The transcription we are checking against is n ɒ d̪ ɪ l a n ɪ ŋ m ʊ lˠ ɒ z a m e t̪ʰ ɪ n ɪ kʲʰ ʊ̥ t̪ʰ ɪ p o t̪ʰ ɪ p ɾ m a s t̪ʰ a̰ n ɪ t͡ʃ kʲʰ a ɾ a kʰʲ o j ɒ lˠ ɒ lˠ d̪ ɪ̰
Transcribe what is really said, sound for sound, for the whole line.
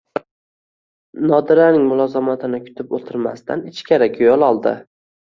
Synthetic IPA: n ɒ d̪ ɪ ɾ a n ɪ ŋ m ʊ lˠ ɒ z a m a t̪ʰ ɪ n ɪ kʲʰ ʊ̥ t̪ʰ ɪ p o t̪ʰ ɪ ɾ m a s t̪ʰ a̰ n ɪ t͡ʃ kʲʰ a ɾ a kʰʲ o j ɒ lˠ ɒ lˠ d̪ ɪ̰

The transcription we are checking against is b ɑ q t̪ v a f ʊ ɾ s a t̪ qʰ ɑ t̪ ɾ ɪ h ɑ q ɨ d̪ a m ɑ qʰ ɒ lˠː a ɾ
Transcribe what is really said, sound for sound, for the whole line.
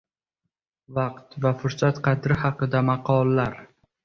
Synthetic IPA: v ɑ q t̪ v a f ʊ ɾ s a t̪ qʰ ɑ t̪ ɾ ɪ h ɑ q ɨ d̪ a m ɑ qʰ ɒ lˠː a ɾ

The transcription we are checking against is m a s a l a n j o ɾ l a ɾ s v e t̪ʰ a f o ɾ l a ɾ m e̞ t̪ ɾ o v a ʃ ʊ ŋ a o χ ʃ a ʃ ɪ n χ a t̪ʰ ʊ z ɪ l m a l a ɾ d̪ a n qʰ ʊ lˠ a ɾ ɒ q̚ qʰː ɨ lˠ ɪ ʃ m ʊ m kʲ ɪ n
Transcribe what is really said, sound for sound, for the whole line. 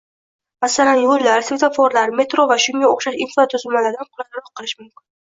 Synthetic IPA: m a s a l a n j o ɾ l a ɾ s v e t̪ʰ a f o ɾ l a ɾ m e̞ t̪ ɾ o v a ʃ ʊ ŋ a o χ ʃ a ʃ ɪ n f a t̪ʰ ʊ z ɪ l m a l a ɾ d̪ a n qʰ ʊ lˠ a ɾ ɒ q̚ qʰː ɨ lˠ ɪ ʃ m ʊ m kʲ ɪ n

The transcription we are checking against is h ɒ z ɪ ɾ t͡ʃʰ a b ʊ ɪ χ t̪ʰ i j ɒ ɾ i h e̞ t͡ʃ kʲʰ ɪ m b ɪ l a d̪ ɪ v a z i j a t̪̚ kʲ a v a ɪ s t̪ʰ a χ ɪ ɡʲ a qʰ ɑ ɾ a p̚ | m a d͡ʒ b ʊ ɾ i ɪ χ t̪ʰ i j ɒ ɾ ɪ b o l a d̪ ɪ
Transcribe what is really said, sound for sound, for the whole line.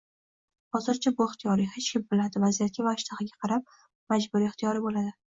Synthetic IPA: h ɒ z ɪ ɾ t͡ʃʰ a b ʊ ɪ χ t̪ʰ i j ɒ ɾ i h e̞ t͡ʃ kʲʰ ɪ m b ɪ l a d̪ ɪ v a z i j a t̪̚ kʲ a v a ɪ ʃ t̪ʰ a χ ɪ ɡʲ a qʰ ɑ ɾ a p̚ | m a d͡ʒ b ʊ ɾ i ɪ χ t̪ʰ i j ɒ ɾ ɪ b o l a d̪ ɪ

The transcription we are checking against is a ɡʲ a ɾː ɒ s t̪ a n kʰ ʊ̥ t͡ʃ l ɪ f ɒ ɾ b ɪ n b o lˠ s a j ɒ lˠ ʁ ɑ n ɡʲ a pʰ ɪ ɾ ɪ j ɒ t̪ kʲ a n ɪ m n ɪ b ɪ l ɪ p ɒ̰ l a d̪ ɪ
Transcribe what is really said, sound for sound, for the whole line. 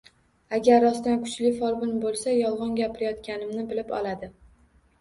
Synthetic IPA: a ɡʲ a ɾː ɒ s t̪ a n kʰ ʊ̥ t͡ʃ l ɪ f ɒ ɾ b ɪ n b o lˠ s a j ɒ lˠ ʁ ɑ n ɡʲ a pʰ ɪ ɾ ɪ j ɒ t̪ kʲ a n ɪ m n ɪ b ɪ l ɪ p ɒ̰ l a d̪ ɪ

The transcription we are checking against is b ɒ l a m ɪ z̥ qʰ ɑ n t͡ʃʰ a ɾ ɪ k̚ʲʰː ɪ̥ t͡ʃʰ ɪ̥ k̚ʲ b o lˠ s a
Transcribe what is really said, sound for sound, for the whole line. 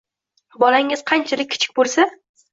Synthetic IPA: b ɒ l a ŋ ɪ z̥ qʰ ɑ n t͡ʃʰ a l ɪ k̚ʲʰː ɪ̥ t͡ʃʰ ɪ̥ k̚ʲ b o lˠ s a

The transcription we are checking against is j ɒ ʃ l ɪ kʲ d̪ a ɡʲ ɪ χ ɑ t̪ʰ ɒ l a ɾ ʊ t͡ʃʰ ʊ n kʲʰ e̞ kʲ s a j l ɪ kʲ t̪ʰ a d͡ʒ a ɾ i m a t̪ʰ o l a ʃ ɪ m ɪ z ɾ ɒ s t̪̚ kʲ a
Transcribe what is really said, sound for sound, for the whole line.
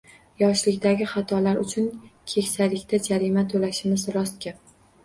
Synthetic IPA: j ɒ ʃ l ɪ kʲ d̪ a ɡʲ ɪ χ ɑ t̪ʰ ɒ l a ɾ ʊ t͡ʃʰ ʊ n kʲʰ e̞ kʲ s a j l ɪ kʲ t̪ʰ a d͡ʒ a ɾ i m a t̪ʰ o l a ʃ ɪ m ɪ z ɾ ɒ s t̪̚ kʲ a

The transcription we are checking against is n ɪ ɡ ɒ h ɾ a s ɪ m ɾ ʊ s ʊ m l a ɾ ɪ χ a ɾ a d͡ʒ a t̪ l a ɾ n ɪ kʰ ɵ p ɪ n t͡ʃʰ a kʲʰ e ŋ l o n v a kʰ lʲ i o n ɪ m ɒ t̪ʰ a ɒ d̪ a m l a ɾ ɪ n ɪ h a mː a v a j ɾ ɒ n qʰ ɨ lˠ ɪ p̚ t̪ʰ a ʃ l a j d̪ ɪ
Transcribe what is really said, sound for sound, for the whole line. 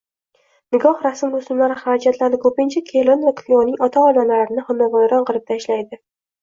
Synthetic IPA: n ɪ ɡ ɒ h ɾ a s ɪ m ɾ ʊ s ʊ m l a ɾ ɪ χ a ɾ a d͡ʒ a t̪ l a ɾ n ɪ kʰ ɵ p ɪ n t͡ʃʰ a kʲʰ e l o n v a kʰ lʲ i o n ɪ ŋ ɒ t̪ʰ a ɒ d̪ a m l a ɾ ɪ n ɪ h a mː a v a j ɾ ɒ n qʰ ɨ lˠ ɪ p̚ t̪ʰ a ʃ l a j d̪ ɪ

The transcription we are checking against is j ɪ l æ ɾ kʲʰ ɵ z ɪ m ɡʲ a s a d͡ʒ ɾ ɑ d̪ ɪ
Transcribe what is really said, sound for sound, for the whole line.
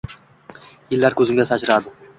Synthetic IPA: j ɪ lː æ ɾ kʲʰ ɵ z ɪ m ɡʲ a s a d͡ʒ ɾ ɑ d̪ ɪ

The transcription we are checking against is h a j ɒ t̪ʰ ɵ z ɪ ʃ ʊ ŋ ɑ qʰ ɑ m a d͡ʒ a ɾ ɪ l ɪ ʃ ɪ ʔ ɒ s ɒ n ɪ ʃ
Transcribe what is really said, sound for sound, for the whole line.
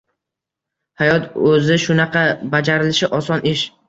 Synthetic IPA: h a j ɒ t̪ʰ ɵ z ɪ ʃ ʊ n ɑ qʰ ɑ b a d͡ʒ a ɾ ɪ l ɪ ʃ ɪ ʔ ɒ s ɒ n ɪ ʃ

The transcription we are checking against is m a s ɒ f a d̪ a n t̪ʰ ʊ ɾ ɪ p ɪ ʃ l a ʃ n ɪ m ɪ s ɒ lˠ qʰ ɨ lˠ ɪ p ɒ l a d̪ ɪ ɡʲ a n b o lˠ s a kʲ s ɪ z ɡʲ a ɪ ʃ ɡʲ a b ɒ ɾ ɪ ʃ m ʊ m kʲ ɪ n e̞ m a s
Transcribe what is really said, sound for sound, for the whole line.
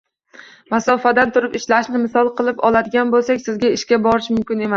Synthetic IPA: m a s ɒ f a d̪ a n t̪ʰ ʊ ɾ ɪ p ɪ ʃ l a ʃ n ɪ m ɪ s ɒ lˠ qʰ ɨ lˠ ɪ p ɒ l a d̪ ɪ ɡʲ a n b o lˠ s a kʲ s ɪ z ɡʲ a ɪ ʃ kʲ a b ɒ ɾ ɪ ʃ m ʊ m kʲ ɪ n e̞ m a s

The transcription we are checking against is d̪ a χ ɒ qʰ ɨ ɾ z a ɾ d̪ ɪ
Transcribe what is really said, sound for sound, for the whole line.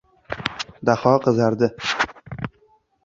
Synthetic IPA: d̪ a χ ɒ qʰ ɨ z a ɾ d̪ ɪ

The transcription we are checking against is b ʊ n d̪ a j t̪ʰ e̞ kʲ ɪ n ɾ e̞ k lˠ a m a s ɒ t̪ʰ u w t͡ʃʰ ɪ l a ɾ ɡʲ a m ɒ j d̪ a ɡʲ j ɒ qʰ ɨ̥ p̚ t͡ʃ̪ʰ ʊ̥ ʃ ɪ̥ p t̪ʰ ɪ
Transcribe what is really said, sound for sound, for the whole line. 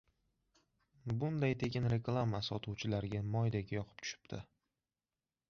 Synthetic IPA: b ʊ n d̪ a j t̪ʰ e̞ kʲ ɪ n ɾ e̞ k lˠ a m a s ɒ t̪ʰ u w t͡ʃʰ ɪ l a ɾ ɡʲ a m ɒ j d̪ a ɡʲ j ɒ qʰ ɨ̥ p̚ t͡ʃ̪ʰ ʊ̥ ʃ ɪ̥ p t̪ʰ ɪ

